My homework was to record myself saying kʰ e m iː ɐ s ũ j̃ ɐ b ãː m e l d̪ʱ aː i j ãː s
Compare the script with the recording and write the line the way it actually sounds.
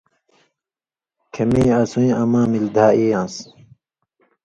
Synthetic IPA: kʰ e m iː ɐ s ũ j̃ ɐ m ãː m i l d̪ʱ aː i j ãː s